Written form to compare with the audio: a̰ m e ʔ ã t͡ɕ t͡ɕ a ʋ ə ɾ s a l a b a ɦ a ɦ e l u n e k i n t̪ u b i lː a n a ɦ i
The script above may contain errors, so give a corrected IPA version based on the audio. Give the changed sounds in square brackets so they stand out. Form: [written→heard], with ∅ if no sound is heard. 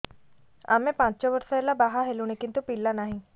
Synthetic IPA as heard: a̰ m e [ʔ→p] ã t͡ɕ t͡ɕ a ʋ ə ɾ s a l a b a ɦ a ɦ e l u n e k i n t̪ u [b→p] i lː a n a ɦ i